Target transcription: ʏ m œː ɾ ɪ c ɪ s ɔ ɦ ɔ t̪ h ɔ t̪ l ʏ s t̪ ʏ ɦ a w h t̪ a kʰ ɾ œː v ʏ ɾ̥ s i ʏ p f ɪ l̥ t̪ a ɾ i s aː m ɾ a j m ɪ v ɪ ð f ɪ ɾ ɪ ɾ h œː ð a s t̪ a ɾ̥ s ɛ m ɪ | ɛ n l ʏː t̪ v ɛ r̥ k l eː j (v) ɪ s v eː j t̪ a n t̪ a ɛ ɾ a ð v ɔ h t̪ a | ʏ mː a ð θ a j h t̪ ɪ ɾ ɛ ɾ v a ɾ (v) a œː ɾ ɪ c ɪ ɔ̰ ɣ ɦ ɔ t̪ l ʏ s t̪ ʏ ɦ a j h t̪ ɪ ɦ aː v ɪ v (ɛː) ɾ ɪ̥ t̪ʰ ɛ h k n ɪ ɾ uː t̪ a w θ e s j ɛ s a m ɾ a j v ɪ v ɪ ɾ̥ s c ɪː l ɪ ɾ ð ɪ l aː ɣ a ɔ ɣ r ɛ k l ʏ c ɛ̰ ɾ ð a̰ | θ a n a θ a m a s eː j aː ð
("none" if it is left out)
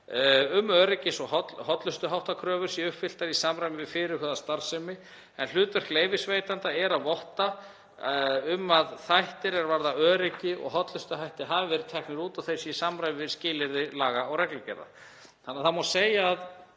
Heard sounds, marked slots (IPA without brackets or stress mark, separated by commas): v, ð, ɛ